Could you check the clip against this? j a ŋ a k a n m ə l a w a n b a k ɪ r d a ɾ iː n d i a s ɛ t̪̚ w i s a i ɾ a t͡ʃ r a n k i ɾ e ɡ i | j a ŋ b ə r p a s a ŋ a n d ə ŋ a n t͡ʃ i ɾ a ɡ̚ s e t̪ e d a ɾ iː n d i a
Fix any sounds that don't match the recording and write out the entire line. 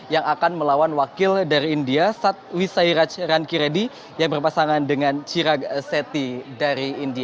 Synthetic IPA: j a ŋ a k a n m ə l a w a n w a k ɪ l d a ɾ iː n d i a s a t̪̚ w i s a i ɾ a t͡ʃ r a n k i ɾ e d i | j a ŋ b ə r p a s a ŋ a n d ə ŋ a n t͡ʃ i ɾ a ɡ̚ s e t̪ i d a ɾ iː n d i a